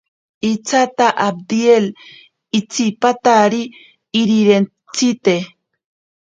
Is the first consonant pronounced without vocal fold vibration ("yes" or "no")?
yes